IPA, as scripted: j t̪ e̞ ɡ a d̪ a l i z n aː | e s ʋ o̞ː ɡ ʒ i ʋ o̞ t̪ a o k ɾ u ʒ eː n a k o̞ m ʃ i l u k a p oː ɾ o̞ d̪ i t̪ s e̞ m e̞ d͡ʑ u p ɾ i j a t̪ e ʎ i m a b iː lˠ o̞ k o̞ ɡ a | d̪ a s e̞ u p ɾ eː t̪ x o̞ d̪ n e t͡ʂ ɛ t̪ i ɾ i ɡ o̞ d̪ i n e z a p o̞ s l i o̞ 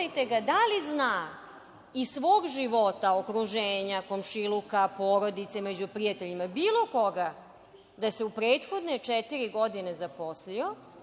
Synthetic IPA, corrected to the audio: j t̪ e̞ ɡ a d̪ a l i z n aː | i s ʋ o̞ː ɡ ʒ i ʋ o̞ t̪ a o k ɾ u ʒ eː ɲ a k o̞ m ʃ i l u k a p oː ɾ o̞ d̪ i t̪ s e̞ m e̞ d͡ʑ u p ɾ i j a t̪ e ʎ i m a b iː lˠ o̞ k o̞ ɡ a | d̪ a s e̞ u p ɾ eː t̪ x o̞ d̪ n e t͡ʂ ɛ t̪ i ɾ i ɡ o̞ d̪ i n e z a p o̞ s l i o̞